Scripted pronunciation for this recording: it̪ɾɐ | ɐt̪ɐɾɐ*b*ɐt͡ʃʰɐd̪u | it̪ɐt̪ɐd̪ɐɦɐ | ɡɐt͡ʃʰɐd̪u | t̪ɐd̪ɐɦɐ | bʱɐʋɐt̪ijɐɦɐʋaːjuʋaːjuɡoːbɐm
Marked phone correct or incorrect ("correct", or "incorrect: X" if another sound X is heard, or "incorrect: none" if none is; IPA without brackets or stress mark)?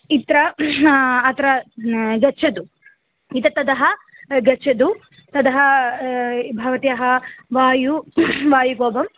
incorrect: ɡ